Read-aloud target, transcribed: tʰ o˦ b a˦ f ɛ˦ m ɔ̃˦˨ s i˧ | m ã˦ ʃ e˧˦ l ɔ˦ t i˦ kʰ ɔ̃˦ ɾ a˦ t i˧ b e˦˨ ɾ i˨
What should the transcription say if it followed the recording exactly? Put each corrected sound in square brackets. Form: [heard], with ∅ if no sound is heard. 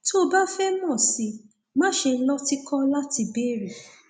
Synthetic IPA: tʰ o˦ b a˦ f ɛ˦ m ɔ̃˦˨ s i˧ | m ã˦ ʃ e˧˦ l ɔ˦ t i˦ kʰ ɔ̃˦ [l] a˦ t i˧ b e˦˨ ɾ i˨